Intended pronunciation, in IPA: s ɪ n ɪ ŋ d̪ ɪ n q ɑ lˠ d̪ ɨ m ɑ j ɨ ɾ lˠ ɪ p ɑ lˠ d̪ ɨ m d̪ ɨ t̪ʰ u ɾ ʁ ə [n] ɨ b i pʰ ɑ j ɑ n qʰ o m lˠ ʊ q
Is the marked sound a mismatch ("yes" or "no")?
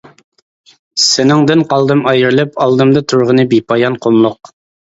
no